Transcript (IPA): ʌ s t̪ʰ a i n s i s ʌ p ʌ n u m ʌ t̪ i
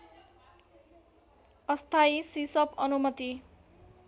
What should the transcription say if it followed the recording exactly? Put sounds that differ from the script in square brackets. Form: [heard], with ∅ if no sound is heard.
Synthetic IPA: ʌ s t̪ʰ a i [∅] s i s ʌ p ʌ n u m ʌ t̪ i